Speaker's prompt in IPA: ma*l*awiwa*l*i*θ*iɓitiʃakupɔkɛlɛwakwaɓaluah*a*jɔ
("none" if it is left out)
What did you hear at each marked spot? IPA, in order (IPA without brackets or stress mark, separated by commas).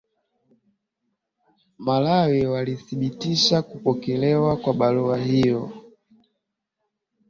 l, l, θ, i